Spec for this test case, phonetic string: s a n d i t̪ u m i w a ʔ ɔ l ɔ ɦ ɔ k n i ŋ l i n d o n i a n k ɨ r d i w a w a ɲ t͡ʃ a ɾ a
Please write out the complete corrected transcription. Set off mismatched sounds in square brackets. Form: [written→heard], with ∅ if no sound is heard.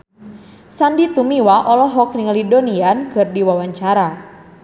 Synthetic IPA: s a n d i t̪ u m i w a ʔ ɔ l ɔ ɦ ɔ k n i ŋ l i [n→∅] d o n i a n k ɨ r d i w a w a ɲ t͡ʃ a ɾ a